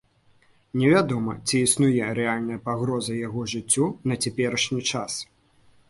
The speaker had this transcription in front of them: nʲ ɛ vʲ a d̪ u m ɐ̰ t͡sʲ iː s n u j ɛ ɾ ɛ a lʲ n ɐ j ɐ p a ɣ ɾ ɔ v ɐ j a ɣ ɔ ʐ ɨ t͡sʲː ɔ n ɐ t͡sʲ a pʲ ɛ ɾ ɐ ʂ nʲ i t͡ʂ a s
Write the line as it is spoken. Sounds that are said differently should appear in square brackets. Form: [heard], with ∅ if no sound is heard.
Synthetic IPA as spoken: nʲ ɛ vʲ a d̪ [ɔ] m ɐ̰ t͡sʲ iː s n u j ɛ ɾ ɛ a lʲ n ɐ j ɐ p a ɣ ɾ ɔ [z] ɐ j a ɣ ɔ ʐ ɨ t͡sʲː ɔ n ɐ t͡sʲ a pʲ ɛ ɾ ɐ ʂ nʲ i t͡ʂ a s

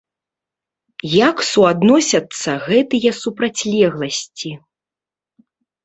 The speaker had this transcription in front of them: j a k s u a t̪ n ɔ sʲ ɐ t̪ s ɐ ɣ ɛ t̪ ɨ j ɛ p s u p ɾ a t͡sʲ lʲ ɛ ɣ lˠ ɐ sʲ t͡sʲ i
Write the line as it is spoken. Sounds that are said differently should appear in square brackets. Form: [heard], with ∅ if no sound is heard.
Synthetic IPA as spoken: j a k s u a [d̪] n ɔ sʲ ɐ t̪ [sː] ɐ ɣ ɛ t̪ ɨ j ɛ [∅] s u p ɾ a t͡sʲ lʲ ɛ ɣ lˠ ɐ sʲ t͡sʲ i

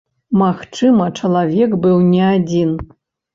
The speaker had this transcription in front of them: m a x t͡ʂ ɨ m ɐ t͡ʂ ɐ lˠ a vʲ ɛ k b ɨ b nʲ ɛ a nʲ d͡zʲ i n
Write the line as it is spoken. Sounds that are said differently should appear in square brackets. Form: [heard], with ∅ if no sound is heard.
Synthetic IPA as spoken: m a x t͡ʂ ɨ m ɐ t͡ʂ ɐ lˠ a vʲ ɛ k b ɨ [w] nʲ ɛ a [∅] d͡zʲ i n

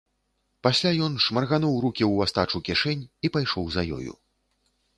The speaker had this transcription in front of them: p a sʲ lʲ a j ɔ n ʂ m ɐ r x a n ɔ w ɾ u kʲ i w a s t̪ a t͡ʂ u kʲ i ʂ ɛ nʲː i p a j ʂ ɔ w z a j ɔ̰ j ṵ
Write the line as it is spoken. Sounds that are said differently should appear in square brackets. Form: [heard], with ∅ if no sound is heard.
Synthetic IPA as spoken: p a sʲ lʲ a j ɔ n ʂ m ɐ r [ɣ] a n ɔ w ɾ u kʲ i w a s t̪ a t͡ʂ u kʲ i ʂ ɛ [nʲ] i p a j ʂ ɔ w z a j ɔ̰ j ṵ

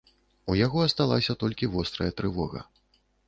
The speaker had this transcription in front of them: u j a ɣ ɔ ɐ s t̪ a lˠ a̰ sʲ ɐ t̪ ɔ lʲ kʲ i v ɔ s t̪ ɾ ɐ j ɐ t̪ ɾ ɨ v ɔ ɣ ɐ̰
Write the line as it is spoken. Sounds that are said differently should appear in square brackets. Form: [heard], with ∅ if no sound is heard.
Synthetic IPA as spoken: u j a ɣ ɔ ɐ s t̪ a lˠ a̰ sʲ ɐ t̪ ɔ lʲ kʲ i v ɔ s t̪ ɾ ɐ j ɐ t̪ ɾ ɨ v ɔ ɣ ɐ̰

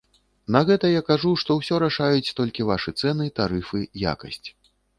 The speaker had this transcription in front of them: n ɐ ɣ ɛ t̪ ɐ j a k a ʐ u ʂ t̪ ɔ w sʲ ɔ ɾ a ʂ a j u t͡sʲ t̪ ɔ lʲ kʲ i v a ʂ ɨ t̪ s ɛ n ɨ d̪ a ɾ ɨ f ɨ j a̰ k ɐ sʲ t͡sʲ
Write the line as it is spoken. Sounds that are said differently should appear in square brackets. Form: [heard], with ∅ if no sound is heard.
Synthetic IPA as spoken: n ɐ ɣ ɛ t̪ ɐ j a k a ʐ u ʂ t̪ ɔ w sʲ ɔ ɾ a ʂ a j u t͡sʲ t̪ ɔ lʲ kʲ i v a ʂ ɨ t̪ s ɛ n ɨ [t̪] a ɾ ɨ f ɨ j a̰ k ɐ sʲ t͡sʲ

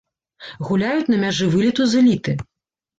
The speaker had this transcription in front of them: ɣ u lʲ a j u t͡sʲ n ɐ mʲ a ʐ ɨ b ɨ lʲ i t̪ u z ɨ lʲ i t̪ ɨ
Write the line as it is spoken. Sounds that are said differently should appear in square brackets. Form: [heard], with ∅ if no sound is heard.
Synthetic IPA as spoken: ɣ u lʲ a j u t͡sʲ n ɐ mʲ a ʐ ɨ [v] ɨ lʲ i t̪ u z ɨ lʲ i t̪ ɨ

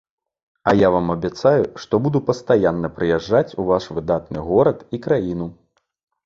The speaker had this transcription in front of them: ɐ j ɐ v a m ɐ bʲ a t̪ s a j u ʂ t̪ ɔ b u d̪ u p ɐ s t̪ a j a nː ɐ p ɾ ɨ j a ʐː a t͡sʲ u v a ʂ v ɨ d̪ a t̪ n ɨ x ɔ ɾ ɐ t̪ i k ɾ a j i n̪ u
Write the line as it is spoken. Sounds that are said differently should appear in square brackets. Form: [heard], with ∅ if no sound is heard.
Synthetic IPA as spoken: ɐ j [a] v a m ɐ bʲ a t̪ s a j u ʂ t̪ ɔ b u d̪ u p ɐ s t̪ a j a nː ɐ p ɾ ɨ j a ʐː a t͡sʲ u v a ʂ v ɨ d̪ a t̪ n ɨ [ɣ] ɔ ɾ ɐ t̪ i k ɾ a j i n̪ u

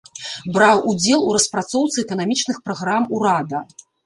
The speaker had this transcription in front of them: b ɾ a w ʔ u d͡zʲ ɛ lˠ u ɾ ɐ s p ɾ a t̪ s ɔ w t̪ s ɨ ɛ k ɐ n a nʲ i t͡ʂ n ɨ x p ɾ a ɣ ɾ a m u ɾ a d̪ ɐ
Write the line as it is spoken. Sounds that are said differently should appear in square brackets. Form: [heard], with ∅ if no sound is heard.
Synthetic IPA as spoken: b ɾ a w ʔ u d͡zʲ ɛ lˠ u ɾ ɐ s p ɾ a t̪ s ɔ w t̪ s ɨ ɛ k ɐ n a [mʲ] i t͡ʂ n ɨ x p ɾ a ɣ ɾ a m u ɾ a d̪ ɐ

